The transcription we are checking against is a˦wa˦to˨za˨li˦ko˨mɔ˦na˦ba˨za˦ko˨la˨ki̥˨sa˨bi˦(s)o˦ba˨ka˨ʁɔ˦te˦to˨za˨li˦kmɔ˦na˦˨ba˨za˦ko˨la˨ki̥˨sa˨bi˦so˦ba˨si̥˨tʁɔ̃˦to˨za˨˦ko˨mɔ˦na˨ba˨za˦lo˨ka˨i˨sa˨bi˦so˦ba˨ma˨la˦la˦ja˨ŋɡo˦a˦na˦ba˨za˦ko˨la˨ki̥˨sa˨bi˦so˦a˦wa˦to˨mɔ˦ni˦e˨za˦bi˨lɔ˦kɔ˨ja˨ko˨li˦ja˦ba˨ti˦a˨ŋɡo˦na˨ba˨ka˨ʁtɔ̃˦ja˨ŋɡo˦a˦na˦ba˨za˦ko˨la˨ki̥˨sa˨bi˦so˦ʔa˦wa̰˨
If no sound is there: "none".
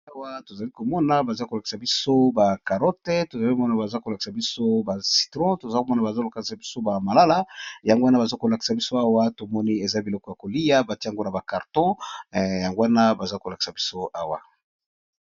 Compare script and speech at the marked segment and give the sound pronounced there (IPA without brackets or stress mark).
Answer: s